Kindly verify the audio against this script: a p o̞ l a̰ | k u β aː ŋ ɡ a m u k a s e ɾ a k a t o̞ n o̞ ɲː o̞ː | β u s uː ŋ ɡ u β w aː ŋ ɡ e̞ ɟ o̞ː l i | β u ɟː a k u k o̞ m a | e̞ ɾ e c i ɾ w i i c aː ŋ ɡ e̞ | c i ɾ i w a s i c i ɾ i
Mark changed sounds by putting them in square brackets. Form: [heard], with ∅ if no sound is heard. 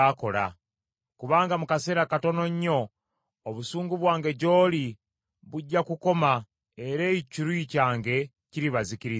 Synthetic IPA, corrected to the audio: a [k] o̞ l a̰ | k u β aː ŋ ɡ a m u k a s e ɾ a k a t o̞ n o̞ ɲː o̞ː | β u s uː ŋ ɡ u β w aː ŋ ɡ e̞ ɟ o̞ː l i | β u ɟː a k u k o̞ m a | e̞ ɾ e c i ɾ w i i c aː ŋ ɡ e̞ | c i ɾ i [β] a [z] i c i ɾ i

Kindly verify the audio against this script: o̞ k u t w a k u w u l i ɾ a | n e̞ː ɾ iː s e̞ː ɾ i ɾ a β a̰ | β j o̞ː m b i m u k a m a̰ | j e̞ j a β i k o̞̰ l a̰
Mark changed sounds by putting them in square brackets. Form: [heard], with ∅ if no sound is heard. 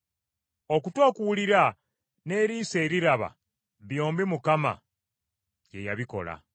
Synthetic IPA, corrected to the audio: o̞ k u t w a k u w u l i ɾ a | n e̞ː ɾ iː s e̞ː ɾ i ɾ a β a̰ | β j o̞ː m b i m u k a m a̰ | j e̞ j a β i k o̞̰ l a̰

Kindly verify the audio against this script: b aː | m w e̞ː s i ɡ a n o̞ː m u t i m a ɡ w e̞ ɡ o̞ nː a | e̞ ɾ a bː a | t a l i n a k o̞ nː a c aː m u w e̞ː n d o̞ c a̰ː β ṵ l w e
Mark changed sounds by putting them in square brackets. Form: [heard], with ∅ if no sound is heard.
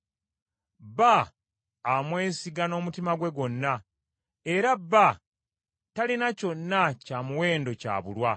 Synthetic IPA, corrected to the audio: b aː | m w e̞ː s i ɡ a n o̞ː m u t i m a ɡ w e̞ ɡ o̞ nː a | e̞ ɾ a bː a | t a l i n a [c] o̞ nː a c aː m u w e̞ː n d o̞ c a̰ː β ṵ l w [a]

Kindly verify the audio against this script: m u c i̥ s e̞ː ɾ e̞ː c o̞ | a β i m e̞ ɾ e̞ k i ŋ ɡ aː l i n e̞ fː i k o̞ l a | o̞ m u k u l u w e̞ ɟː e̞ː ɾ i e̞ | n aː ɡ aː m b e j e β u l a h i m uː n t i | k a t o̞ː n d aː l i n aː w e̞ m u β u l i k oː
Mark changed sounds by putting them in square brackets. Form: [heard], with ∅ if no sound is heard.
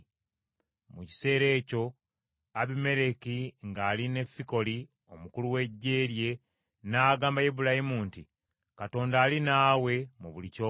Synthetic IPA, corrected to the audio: m u c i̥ s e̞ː ɾ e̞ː c o̞ | a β i m e̞ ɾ e̞ k i ŋ ɡ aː l i n e̞ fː i k o̞ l [i] | o̞ m u k u l u w e̞ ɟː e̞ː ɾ [j] e̞ | n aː ɡ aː m b [a] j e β u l a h i m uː n t i | k a t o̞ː n d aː l i n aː w e̞ m u β u l i [c] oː

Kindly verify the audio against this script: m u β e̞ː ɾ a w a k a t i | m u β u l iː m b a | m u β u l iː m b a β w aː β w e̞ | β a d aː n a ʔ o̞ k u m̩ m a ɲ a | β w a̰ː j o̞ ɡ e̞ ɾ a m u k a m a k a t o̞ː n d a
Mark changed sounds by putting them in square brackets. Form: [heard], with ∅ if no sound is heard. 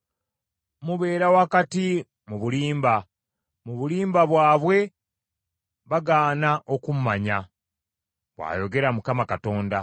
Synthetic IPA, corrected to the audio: m u β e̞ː ɾ a w a k a t i | m u β u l iː m b a | m u β u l iː m b a β w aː β w e̞ | β a [ɡ] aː n a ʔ o̞ k u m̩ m a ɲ a | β w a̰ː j o̞ ɡ e̞ ɾ a m u k a m a k a t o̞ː n d a

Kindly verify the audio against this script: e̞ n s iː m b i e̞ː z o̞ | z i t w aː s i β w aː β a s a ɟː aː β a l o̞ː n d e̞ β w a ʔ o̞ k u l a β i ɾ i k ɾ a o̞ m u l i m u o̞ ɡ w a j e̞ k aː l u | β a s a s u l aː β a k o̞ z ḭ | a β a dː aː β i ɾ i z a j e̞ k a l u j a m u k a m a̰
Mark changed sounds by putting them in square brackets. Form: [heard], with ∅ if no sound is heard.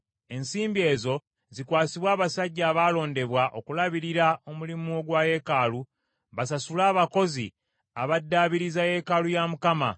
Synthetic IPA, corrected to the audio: e̞ n s iː m b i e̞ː z o̞ | z i [k] w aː s i β w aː β a s a ɟː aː β a l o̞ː n d e̞ β w a ʔ o̞ k u l a β i ɾ i [∅] ɾ a o̞ m u l i m u o̞ ɡ w a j e̞ k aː l u | β a s a s u l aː β a k o̞ z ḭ | a β a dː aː β i ɾ i z a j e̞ k a l u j a m u k a m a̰

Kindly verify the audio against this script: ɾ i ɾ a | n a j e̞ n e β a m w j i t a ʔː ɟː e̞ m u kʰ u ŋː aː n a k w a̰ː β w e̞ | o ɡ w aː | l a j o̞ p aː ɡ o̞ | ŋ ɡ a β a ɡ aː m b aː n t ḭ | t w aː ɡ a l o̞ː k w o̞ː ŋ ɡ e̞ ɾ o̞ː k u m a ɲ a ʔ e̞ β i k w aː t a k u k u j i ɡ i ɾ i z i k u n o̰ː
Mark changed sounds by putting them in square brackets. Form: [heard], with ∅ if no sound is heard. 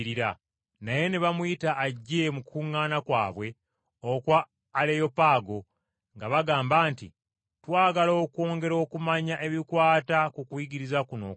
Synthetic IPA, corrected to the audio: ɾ i ɾ a | n a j e̞ n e β a m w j i t a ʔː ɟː e̞ m u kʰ u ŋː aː n a k w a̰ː β w e̞ | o [k] w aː | l [e] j o̞ p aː ɡ o̞ | ŋ ɡ a β a ɡ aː m b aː n t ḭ | t w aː ɡ a l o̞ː k w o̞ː ŋ ɡ e̞ ɾ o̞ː k u m a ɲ a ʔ e̞ β i k w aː t a k u k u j i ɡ i ɾ i z [a] k u n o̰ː

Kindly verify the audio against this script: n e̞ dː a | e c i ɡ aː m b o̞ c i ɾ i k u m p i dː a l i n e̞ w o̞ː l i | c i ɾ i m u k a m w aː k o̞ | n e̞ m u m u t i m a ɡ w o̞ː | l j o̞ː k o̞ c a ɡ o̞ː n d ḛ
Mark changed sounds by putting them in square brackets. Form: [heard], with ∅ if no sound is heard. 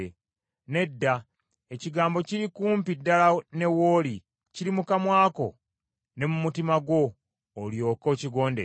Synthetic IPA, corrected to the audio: n e̞ dː a | e c i ɡ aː m b o̞ c i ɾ i k [uː] m p i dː a l [a] n e̞ w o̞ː l i | c i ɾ i m u k a m w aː k o̞ | n e̞ m u m u t i m a ɡ w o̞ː | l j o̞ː k o̞ c [i] ɡ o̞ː n d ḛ

